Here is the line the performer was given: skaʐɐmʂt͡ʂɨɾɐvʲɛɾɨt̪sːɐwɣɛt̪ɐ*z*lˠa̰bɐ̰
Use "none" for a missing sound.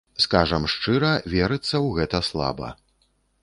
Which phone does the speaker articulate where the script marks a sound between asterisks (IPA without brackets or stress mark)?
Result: s